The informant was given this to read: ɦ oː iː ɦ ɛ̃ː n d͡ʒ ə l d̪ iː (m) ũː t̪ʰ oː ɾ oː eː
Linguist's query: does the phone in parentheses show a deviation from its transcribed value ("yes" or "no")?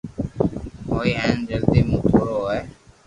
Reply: no